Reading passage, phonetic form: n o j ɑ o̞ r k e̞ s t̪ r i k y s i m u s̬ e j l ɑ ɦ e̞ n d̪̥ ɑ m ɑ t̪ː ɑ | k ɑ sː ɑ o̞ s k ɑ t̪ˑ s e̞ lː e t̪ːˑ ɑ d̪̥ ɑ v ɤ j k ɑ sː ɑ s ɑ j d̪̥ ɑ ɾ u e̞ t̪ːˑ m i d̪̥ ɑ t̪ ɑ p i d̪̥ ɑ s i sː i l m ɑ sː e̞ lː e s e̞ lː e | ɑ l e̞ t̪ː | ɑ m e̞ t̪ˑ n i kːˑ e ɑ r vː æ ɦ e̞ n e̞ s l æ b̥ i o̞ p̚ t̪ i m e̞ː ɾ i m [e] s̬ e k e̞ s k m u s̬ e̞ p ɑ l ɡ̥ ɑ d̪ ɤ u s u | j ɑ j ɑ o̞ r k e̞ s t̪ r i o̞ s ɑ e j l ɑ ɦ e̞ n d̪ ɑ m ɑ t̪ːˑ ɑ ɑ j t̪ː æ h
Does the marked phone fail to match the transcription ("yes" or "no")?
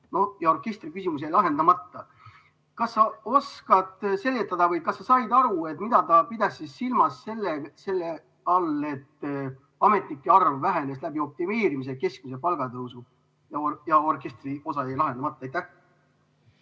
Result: yes